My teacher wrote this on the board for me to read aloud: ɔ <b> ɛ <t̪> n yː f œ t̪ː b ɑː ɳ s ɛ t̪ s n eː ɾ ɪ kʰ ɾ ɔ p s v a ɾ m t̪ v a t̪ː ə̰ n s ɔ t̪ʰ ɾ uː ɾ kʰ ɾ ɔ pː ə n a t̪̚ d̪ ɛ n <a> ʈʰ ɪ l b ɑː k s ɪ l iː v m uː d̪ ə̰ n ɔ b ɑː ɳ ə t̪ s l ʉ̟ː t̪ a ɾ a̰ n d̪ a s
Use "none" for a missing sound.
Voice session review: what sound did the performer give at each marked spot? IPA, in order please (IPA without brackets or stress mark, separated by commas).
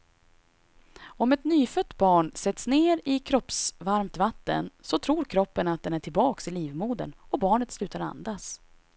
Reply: m, t̪, æ